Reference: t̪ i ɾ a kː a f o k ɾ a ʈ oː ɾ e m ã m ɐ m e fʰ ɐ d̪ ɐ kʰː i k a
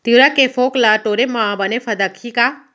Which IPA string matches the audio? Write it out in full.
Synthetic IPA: t̪ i ɾ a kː e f o k l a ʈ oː ɾ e m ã b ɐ n e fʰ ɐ d̪ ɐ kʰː i k a

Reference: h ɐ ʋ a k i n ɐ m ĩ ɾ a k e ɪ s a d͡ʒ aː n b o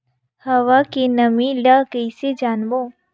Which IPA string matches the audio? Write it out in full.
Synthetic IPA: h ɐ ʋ a k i n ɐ m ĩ l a k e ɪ s e d͡ʒ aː n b o

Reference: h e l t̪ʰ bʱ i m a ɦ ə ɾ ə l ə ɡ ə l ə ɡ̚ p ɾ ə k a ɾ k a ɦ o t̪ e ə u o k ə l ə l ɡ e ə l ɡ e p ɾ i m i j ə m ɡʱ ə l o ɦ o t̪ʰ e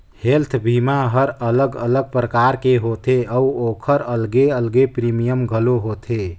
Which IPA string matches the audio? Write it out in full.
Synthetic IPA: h e l t̪ʰ bʱ i m a ɦ ə ɾ ə l ə ɡ ə l ə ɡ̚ p ɾ ə k a ɾ k e ɦ o t̪ e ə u o kʰ ə ɾ ə l ɡ e ə l ɡ e p ɾ i m i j ə m ɡʱ ə l o ɦ o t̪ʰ e

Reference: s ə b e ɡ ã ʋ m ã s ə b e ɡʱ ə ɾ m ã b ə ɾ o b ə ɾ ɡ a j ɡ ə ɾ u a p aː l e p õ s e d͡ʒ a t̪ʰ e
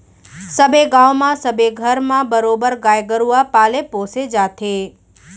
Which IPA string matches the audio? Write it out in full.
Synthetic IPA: s ə b e ɡ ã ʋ m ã s ə b e ɡʱ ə ɾ m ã b ə ɾ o b ə ɾ ɡ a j ɡ ə ɾ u a p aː l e p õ s e d͡ʒ a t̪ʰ e

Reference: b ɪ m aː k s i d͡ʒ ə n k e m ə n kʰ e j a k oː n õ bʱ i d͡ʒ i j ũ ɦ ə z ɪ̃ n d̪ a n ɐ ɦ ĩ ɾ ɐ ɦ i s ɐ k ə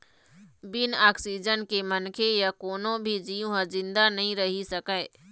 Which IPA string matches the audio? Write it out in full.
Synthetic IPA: b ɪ n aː k s i d͡ʒ ə n k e m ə n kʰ e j a k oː n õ bʱ i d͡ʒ i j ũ ɦ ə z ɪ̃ n d̪ a n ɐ ɦ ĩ ɾ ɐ ɦ i s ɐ k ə

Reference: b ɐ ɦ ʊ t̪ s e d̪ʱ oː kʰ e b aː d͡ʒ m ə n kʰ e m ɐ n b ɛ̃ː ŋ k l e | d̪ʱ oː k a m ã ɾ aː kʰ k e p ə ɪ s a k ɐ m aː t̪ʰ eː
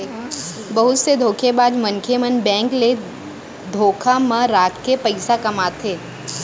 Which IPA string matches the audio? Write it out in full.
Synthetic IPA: b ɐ ɦ ʊ t̪ s e d̪ʱ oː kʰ e b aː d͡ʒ m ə n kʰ e m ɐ n b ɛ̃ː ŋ k l e | d̪ʱ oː kʰ a m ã ɾ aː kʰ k e p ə ɪ s a k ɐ m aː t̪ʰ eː

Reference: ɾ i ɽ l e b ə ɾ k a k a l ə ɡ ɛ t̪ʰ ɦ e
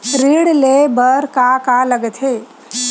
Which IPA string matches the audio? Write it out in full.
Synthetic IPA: ɾ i ɽ l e b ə ɾ k a k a l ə ɡ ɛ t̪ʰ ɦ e

